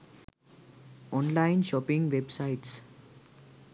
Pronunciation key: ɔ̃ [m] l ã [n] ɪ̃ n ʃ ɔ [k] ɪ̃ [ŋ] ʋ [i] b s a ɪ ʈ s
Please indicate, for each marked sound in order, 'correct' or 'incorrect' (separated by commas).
incorrect, incorrect, incorrect, correct, incorrect